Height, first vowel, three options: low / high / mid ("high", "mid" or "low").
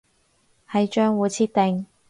low